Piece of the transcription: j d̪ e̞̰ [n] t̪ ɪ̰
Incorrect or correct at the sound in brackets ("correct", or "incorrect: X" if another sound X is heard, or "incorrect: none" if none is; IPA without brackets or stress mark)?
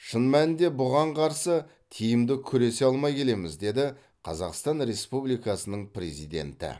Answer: correct